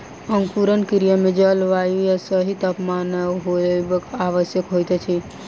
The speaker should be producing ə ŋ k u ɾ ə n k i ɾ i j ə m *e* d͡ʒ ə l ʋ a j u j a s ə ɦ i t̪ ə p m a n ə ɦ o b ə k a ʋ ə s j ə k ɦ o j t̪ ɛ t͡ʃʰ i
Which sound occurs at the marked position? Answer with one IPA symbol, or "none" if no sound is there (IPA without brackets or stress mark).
e